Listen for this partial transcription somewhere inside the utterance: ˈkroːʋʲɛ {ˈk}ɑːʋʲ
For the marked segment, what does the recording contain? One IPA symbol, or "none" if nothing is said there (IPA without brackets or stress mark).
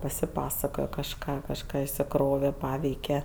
p